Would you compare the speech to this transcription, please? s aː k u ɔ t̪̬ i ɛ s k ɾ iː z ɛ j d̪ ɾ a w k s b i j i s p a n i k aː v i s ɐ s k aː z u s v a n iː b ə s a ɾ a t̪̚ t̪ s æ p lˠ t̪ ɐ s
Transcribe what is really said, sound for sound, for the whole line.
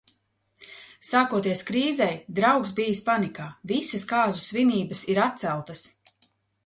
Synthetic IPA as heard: s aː k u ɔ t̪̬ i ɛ s k ɾ iː z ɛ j d̪ ɾ a w k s b i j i s p a n i k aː v i s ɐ s k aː z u s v i n iː b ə s i ɾ a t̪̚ t̪ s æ lˠ t̪ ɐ s